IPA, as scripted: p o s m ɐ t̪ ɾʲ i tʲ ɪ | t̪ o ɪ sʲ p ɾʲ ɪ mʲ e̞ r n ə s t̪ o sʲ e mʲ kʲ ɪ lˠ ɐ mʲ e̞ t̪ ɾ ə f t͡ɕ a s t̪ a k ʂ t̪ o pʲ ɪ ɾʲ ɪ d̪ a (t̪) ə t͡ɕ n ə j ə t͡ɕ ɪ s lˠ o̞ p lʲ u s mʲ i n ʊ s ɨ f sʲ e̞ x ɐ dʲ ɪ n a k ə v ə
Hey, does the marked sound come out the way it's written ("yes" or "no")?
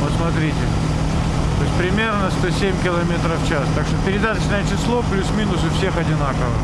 yes